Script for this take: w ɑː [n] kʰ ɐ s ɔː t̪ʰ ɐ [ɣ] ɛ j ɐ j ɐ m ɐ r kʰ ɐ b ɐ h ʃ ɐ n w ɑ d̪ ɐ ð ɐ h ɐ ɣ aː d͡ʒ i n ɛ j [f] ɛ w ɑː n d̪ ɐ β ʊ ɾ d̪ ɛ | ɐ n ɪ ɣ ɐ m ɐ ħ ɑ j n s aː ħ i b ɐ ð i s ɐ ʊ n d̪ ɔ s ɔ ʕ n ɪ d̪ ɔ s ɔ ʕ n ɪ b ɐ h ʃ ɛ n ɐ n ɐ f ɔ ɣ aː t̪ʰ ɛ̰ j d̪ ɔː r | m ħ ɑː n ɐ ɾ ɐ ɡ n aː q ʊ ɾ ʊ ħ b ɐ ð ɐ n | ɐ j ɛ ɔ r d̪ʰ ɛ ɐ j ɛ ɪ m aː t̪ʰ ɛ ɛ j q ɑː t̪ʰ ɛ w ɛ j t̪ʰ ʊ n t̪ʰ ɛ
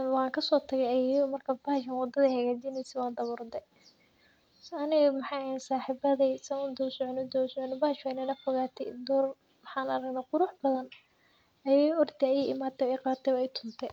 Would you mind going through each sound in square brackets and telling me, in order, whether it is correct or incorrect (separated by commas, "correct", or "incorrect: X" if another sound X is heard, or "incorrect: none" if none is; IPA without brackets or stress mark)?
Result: incorrect: ŋ, correct, incorrect: s